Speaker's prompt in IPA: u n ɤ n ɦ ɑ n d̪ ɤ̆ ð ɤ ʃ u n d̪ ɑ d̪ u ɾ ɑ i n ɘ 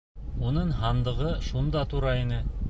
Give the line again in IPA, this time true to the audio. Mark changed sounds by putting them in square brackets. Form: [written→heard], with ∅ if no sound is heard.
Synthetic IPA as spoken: u n ɤ [n→ɴ] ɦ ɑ n d̪ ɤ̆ [ð→ʁ] ɤ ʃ u n d̪ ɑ [d̪→t̪] u ɾ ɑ i n ɘ